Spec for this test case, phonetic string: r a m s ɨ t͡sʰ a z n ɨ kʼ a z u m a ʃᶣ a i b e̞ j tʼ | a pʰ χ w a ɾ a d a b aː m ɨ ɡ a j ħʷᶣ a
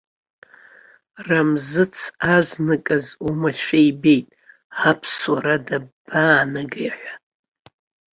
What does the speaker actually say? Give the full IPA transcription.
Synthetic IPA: r a m z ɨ t͡sʰ a z n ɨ kʼ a z u m a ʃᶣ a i b e̞ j tʼ | a pʰ s w a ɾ a d a b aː n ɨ ɡ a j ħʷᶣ a

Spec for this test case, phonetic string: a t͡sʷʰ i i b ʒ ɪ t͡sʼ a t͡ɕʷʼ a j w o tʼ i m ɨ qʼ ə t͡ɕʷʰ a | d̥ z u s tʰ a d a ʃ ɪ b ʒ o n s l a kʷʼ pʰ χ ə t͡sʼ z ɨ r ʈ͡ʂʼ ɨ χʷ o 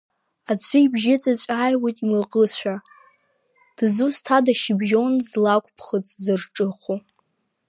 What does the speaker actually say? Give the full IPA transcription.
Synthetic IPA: a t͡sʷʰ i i b ʒ ɪ t͡sʼ a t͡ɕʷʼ a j w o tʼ i m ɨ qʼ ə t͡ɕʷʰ a | d̥ z u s tʰ a d a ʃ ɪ b ʒ o n z l a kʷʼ pʰ χ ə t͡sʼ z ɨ r ʈ͡ʂʼ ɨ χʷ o

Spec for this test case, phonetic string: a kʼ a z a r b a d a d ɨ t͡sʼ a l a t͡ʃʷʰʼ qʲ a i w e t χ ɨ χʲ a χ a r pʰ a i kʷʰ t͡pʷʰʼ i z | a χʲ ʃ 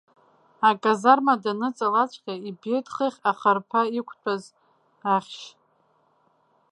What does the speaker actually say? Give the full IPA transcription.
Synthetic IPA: a kʼ a z a r m a d a n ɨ t͡sʼ a l a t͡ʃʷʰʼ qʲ a i b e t χ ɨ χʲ a χ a r pʰ a i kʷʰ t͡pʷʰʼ a z | a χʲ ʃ

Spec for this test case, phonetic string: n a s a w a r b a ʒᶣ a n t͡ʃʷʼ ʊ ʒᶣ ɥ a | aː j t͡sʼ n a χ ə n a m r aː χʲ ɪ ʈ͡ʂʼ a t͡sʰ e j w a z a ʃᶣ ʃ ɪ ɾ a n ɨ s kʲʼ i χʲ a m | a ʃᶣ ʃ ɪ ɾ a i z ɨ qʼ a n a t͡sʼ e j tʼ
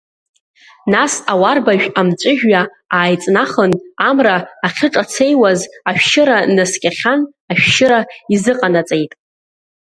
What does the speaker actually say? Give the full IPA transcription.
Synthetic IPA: n a s a w a r b a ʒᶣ a m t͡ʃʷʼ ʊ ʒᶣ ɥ a | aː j t͡sʼ n a χ ə n a m r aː χʲ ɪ ʈ͡ʂʼ a t͡sʰ e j w a z a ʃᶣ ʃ ɪ ɾ a n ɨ s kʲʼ a χʲ a n | a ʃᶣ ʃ ɪ ɾ a i z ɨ qʼ a n a t͡sʼ e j tʼ

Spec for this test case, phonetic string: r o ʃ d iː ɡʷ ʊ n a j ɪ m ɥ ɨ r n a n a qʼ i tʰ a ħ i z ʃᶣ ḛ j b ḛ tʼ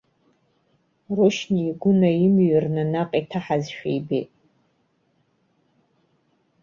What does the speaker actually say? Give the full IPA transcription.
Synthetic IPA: r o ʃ n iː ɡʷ ʊ n a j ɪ m ɥ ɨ r n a n a qʼ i tʰ a ħ a z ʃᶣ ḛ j b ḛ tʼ

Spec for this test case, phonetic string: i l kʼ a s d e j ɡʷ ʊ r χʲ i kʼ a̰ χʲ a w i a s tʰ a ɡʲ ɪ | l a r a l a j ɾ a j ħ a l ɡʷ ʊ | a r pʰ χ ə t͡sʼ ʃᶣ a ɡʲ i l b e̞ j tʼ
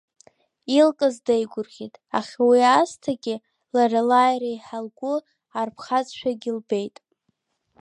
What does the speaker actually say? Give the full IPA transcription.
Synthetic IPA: i l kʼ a z d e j ɡʷ ʊ r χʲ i tʼ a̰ χʲ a w i a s tʰ a ɡʲ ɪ | l a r a l a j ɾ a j ħ a l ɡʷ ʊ | a r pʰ χ a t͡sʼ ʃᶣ a ɡʲ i l b e̞ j tʼ

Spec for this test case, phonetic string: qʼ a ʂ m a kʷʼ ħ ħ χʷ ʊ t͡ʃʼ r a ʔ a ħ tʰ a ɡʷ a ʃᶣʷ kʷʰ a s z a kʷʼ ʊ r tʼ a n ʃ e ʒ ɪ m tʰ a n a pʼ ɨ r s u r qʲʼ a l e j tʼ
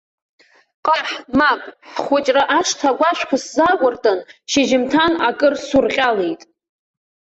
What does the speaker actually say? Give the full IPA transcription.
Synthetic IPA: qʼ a ħ m a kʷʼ ħ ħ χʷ ʊ t͡ʃʼ r a ʔ a ʂ tʰ a ɡʷ a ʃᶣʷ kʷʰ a s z a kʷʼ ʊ r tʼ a n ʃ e ʒ ɪ m tʰ a n a kʼ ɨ r s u r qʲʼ a l e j tʼ

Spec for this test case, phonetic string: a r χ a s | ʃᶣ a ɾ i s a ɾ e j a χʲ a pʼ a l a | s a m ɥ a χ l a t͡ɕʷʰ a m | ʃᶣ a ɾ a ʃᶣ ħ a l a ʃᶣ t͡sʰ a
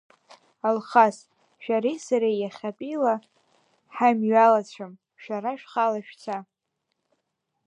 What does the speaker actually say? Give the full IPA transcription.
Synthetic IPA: a l χ a s | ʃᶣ a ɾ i s a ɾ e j a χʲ a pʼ i l a | ħ a m ɥ a l a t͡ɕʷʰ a m | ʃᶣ a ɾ a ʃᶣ χ a l a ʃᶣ t͡sʰ a

